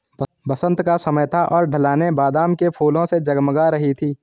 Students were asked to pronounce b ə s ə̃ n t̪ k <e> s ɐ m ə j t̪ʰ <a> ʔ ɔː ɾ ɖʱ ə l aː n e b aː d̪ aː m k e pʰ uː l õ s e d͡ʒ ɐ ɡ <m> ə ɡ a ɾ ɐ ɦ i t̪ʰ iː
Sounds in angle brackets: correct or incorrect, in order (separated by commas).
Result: incorrect, correct, correct